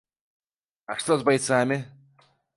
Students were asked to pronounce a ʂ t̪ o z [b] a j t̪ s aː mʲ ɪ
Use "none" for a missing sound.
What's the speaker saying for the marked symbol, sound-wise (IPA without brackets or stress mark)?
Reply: b